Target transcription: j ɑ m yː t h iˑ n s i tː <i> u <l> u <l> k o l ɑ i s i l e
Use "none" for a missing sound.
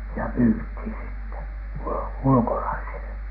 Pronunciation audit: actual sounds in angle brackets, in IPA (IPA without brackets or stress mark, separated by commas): e, l, l